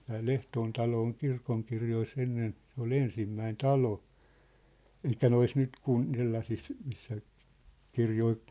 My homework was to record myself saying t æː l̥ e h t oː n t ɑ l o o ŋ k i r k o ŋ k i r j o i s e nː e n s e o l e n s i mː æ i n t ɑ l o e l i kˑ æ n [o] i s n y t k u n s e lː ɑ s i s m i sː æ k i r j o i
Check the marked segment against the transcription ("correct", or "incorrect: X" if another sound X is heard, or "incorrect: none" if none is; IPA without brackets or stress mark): correct